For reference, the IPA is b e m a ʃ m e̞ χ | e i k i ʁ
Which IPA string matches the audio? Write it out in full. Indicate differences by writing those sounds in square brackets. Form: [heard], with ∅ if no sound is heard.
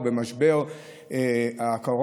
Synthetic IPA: b e m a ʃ [b] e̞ [ʁ] | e [a] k [a] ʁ